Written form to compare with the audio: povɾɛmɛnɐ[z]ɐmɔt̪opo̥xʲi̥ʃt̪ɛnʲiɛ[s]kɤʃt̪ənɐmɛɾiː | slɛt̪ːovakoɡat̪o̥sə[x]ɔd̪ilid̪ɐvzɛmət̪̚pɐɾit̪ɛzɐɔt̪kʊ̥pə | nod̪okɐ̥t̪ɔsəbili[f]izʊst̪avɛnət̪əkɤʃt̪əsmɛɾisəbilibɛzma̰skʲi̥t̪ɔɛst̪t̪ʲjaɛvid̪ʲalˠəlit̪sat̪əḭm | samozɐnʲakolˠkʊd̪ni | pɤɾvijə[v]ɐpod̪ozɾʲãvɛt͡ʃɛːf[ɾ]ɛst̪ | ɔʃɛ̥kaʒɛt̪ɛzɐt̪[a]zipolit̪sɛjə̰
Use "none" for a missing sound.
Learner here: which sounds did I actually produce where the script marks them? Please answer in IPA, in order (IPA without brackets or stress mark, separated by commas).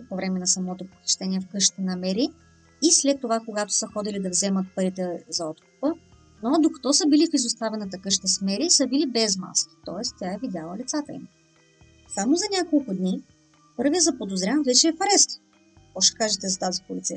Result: s, f, x, f, z, ɾ, a